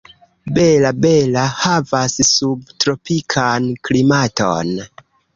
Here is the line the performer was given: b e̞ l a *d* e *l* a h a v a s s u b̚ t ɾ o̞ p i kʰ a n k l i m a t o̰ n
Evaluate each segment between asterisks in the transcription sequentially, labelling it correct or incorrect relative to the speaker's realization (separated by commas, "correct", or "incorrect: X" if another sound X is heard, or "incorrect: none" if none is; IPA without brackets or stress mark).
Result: incorrect: b, correct